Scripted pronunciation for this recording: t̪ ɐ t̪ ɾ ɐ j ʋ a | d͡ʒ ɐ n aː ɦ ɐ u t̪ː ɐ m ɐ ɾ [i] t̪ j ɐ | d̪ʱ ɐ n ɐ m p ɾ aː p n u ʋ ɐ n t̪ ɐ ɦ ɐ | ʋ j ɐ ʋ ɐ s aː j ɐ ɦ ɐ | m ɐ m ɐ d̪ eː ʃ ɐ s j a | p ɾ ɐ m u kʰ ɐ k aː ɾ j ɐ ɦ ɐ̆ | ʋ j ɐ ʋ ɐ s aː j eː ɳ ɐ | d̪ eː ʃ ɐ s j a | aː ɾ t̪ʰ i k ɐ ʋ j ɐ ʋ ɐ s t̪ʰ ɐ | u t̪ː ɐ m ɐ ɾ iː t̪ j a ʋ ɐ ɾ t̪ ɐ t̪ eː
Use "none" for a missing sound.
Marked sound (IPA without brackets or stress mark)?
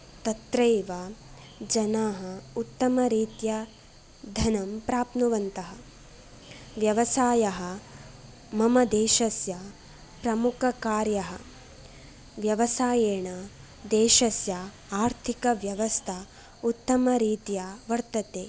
iː